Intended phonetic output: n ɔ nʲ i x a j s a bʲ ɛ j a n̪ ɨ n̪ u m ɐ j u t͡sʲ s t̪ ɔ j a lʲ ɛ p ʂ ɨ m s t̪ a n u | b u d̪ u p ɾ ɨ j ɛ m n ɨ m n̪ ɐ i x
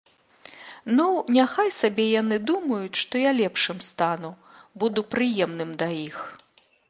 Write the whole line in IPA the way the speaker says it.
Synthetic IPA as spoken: n u nʲ a x a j s a bʲ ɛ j a n̪ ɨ d̪ u m ɐ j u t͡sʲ ʂ t̪ ɔ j a lʲ ɛ p ʂ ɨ m s t̪ a n u | b u d̪ u p ɾ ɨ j ɛ m n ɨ m d̪ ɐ i x